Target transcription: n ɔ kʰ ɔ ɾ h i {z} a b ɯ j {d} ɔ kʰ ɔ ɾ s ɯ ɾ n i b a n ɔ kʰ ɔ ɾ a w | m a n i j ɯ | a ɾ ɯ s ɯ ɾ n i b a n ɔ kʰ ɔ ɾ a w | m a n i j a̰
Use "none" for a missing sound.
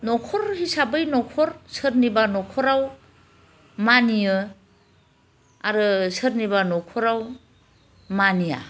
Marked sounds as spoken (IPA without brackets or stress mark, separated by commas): s, n